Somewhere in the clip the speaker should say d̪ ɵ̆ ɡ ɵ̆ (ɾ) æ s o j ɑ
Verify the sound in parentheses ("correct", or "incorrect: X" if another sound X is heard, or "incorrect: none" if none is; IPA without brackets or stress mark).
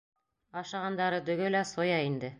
incorrect: l